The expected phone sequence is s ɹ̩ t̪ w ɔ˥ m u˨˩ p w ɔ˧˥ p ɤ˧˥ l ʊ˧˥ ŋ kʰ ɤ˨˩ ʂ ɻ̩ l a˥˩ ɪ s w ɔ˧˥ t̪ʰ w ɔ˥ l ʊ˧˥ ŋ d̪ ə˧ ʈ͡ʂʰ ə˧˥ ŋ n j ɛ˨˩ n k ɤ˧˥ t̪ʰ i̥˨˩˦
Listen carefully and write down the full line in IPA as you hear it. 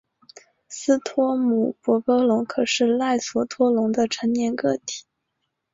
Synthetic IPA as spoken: s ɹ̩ t̪ʰ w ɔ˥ m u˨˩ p w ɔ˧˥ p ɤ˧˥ l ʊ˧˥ ŋ kʰ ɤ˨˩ ʂ ɻ̩ l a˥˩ ɪ s w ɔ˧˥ t̪ʰ w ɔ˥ l ʊ˧˥ ŋ d̪ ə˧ ʈ͡ʂʰ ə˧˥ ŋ n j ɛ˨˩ n k ɤ˥˩ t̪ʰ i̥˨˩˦